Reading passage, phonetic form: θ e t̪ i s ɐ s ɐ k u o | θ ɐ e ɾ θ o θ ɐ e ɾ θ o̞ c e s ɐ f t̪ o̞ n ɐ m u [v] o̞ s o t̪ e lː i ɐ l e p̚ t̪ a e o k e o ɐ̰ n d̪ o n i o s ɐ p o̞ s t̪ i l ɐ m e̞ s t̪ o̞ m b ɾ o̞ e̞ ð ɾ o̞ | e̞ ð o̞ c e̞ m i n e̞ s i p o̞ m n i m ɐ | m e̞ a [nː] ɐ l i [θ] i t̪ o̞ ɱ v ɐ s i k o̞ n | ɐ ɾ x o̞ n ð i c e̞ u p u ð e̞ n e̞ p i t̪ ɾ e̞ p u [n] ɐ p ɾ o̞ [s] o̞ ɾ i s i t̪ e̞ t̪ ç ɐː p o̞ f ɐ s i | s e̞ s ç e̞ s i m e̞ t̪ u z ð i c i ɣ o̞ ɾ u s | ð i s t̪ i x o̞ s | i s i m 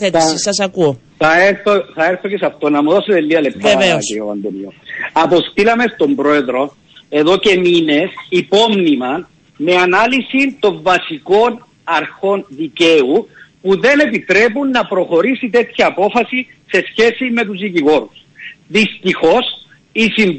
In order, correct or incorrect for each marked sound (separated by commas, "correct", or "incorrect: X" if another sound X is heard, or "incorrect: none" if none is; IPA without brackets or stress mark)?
incorrect: ð, incorrect: n, incorrect: s, incorrect: nː, incorrect: x